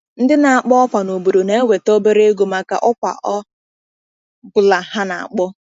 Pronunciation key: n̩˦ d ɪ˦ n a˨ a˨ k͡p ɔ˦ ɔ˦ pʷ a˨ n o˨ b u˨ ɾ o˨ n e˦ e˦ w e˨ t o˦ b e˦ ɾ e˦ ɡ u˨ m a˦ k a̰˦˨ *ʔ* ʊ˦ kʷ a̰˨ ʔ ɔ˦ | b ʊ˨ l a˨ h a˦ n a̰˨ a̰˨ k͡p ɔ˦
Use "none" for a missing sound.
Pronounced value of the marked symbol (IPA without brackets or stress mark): ʔ